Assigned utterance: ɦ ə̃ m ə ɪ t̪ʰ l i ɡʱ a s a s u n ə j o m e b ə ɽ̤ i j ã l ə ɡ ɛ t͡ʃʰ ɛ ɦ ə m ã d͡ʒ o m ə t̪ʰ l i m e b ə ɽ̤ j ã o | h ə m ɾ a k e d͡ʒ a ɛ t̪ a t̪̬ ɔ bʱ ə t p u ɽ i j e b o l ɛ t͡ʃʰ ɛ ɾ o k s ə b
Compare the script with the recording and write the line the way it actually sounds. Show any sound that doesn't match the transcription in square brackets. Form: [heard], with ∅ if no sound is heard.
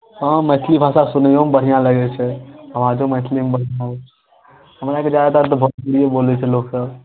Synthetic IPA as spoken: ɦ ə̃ m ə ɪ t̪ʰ l i [bʱ] a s a s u n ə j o m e b ə ɽ̤ i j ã l ə ɡ ɛ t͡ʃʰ ɛ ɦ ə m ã d͡ʒ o m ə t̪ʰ l i m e b ə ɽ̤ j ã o | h ə m ɾ a k e d͡ʒ a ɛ t̪ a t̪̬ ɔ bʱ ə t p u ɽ i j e b o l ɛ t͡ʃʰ ɛ [l] o k s ə b